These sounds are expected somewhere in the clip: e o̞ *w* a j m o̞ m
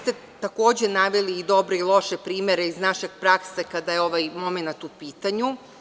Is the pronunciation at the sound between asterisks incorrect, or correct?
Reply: incorrect